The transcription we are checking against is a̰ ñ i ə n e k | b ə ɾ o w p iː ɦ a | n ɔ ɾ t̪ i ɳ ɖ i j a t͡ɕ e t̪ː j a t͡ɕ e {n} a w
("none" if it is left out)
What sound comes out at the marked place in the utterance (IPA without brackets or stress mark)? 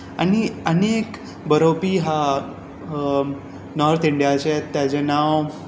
n